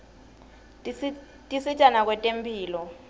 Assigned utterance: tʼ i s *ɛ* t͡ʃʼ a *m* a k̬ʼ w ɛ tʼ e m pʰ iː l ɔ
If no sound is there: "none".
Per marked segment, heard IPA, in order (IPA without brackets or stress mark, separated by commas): i, n